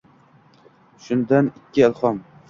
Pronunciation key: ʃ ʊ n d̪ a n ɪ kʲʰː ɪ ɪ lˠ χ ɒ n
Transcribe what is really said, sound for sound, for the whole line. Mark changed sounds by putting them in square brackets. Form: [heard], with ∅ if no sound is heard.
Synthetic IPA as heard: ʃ ʊ n d̪ a n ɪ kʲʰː ɪ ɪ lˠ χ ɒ [m]